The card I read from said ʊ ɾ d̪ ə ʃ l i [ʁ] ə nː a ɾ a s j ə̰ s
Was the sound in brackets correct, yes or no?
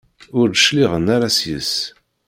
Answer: yes